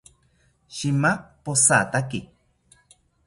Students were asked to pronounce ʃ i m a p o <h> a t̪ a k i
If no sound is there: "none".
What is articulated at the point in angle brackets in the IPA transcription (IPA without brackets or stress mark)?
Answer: s